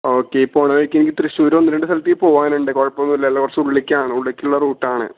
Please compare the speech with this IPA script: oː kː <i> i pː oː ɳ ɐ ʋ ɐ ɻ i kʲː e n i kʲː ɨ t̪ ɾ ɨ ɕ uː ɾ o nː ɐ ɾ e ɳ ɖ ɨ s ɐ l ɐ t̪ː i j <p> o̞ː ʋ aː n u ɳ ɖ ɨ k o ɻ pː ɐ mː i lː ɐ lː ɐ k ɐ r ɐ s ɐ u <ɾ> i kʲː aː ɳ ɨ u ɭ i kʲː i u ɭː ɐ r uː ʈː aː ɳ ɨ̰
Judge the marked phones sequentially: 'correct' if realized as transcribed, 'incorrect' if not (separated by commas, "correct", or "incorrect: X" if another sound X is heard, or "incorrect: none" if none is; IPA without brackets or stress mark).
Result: incorrect: e, correct, incorrect: ɭ